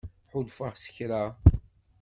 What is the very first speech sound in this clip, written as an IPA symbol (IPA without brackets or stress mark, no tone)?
ħ